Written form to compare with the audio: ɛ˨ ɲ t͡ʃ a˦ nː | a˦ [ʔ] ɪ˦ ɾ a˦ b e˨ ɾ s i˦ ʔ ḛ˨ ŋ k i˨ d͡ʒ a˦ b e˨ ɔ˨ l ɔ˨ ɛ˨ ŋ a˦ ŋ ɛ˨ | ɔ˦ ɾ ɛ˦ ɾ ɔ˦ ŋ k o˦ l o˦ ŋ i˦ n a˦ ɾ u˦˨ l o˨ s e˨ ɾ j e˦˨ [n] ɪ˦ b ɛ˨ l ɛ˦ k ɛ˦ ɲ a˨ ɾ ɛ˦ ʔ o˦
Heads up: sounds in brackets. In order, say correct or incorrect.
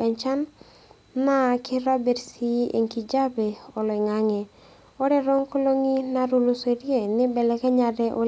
incorrect, correct

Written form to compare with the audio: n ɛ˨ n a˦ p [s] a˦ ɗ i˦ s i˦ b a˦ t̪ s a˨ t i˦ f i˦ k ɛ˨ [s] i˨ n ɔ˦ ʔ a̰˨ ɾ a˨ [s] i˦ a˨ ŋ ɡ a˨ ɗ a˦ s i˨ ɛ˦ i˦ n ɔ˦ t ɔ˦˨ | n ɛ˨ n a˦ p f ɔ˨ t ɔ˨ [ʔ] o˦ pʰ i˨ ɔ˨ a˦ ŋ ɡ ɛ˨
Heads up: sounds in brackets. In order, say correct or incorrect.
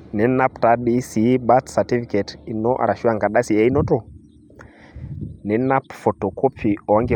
incorrect, incorrect, incorrect, incorrect

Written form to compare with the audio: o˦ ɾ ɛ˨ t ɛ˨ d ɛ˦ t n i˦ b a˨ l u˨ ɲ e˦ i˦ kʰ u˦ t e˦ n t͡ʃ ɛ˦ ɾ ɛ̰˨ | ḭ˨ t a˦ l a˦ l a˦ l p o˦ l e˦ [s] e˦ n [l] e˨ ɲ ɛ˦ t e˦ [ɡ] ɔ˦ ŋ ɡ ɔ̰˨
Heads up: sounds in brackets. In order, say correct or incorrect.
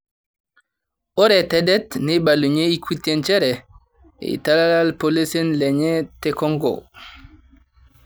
correct, correct, incorrect

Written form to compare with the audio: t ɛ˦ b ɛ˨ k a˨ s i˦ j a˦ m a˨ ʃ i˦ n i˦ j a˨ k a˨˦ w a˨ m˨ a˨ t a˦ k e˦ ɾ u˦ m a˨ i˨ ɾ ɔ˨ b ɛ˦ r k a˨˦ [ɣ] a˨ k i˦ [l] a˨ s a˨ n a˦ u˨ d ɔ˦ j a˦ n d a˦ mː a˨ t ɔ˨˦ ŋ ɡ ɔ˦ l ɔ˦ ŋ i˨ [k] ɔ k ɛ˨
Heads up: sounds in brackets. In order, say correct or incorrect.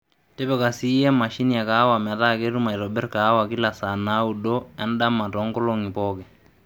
incorrect, correct, incorrect

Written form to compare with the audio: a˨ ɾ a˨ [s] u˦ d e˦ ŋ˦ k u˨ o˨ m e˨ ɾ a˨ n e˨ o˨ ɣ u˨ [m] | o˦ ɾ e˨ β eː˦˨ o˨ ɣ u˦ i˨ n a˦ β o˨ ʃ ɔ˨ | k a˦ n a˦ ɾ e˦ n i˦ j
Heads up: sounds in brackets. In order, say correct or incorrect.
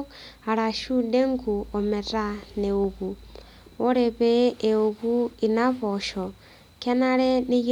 incorrect, incorrect

